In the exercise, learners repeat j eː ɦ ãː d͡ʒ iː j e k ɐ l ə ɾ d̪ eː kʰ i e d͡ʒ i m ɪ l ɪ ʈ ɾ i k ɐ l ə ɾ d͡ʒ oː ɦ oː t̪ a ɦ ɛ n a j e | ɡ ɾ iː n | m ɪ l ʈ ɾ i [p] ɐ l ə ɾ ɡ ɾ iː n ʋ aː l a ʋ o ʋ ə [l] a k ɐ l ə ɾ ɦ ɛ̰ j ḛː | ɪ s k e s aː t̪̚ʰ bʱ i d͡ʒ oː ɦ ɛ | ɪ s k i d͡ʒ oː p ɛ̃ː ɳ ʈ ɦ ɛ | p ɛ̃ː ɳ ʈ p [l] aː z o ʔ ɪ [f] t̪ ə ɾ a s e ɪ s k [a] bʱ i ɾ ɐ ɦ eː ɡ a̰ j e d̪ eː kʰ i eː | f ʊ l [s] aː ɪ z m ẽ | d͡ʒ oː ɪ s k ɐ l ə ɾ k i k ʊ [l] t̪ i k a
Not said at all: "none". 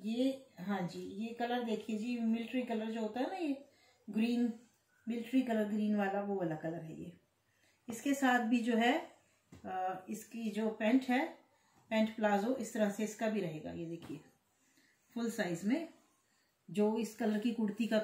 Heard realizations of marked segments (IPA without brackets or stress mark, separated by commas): k, l, l, s, a, s, ɽ